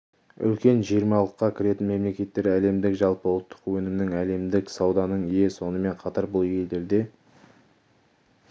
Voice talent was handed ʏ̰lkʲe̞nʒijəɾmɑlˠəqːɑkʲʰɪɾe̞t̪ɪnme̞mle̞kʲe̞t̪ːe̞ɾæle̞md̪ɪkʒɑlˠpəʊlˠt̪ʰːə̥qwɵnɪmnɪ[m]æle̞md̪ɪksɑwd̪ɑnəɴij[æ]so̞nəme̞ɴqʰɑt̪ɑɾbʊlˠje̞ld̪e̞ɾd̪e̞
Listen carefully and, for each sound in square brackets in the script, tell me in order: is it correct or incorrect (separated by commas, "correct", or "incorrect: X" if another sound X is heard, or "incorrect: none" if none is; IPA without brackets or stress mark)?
incorrect: ŋ, incorrect: e